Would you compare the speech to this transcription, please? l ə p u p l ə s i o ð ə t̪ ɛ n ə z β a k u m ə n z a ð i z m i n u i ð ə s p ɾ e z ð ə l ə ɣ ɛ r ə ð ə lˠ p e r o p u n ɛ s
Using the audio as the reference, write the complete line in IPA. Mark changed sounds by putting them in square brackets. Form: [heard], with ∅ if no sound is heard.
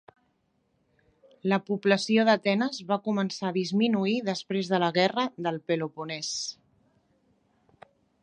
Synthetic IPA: l ə p u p l ə s i o ð ə t̪ ɛ n ə z β a k u m ə n [s] a ð i z m i n u i ð ə s p ɾ e z ð ə l ə ɣ ɛ r ə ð ə lˠ p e [l] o p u n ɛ s